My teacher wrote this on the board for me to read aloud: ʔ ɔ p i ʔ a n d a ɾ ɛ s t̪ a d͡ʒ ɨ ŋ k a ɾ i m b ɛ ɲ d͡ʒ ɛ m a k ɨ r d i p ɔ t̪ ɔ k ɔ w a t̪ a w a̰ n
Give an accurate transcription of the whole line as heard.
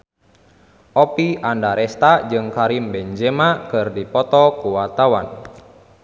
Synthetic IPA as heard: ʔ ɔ p i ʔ a n d a ɾ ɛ s t̪ a d͡ʒ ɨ ŋ k a ɾ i m b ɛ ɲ d͡ʒ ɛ m a k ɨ r d i p ɔ t̪ ɔ k u w a t̪ a w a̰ n

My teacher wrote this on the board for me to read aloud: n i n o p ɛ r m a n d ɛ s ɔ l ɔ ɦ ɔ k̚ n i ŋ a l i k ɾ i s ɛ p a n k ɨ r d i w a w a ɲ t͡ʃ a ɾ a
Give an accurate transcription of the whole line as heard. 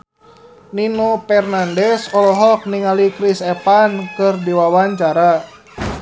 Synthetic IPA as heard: n i n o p ɛ r n a n d ɛ s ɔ l ɔ ɦ ɔ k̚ n i ŋ a l i k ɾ i s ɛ p a n k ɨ r d i w a w a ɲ t͡ʃ a ɾ a

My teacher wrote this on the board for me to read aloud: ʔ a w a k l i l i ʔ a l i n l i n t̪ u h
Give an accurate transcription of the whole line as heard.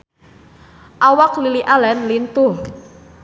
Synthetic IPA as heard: ʔ a w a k l i l i ʔ a l ɛ n l i n t̪ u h

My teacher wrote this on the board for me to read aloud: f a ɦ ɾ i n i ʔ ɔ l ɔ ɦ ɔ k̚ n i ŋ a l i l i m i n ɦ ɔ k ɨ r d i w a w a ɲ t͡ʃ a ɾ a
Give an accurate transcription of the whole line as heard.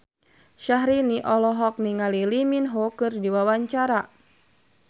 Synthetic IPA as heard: ʃ a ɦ ɾ i n i ʔ ɔ l ɔ ɦ ɔ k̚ n i ŋ a l i l i m i n ɦ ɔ k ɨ r d i w a w a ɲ t͡ʃ a ɾ a

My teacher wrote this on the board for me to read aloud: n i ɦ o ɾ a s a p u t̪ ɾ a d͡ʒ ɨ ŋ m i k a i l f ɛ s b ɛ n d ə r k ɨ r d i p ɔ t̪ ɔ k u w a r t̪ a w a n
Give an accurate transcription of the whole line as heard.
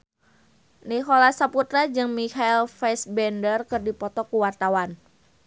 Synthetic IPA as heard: n i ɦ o l a s a p u t̪ ɾ a d͡ʒ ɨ ŋ m i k a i l f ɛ s b ɛ n d ə r k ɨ r d i p ɔ t̪ ɔ k u w a r t̪ a w a n

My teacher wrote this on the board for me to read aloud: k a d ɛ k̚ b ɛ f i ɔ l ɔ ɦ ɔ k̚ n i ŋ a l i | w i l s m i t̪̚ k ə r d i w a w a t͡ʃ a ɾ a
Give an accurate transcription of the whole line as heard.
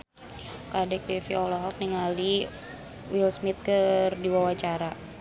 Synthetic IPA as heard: k a d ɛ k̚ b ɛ f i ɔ l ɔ ɦ ɔ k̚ n i ŋ a l i | w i l s m i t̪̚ k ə r d i w a w a t͡ʃ a ɾ a

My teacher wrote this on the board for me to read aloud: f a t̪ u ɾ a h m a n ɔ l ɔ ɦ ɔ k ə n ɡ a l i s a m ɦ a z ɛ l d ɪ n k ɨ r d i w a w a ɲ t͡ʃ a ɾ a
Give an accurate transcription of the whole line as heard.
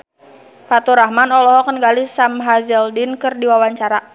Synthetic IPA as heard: f a t̪ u ɾ a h m a n ɔ l ɔ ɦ ɔ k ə n ɡ a l i s a m ɦ a z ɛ l d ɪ n k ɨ r d i w a w a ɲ t͡ʃ a ɾ a

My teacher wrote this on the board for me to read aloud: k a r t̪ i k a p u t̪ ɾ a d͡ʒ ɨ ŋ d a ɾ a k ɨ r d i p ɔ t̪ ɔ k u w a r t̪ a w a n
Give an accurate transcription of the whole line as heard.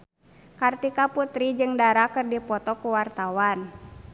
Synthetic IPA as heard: k a r t̪ i k a p u t̪ ɾ i d͡ʒ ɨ ŋ d a ɾ a k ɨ r d i p ɔ t̪ ɔ k u w a r t̪ a w a n

